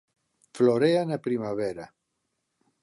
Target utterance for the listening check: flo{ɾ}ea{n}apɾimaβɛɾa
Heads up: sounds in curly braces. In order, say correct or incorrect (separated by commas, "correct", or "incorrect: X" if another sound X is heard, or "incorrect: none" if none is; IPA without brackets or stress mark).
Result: correct, correct